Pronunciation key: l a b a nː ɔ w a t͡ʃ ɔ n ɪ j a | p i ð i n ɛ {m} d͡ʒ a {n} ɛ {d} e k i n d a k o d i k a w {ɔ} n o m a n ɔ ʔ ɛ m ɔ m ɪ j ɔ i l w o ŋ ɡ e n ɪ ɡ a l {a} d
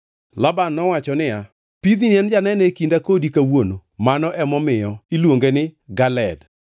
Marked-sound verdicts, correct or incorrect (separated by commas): incorrect, correct, incorrect, incorrect, incorrect